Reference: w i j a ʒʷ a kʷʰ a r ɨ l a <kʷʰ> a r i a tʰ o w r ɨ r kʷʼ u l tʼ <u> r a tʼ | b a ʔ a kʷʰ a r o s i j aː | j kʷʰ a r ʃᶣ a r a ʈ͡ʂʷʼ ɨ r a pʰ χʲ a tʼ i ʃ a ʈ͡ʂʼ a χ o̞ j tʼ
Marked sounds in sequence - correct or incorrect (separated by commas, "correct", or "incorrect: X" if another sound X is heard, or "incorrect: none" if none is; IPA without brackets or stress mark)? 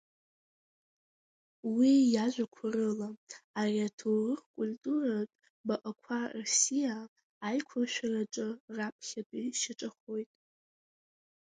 incorrect: none, correct